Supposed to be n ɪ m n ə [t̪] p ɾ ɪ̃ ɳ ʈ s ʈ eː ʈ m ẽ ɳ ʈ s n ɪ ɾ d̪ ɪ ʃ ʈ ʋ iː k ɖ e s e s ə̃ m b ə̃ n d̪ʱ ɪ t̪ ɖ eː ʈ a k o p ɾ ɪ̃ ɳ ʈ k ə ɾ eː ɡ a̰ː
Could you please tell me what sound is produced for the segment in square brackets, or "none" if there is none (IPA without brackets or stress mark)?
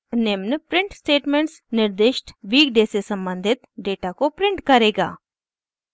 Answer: none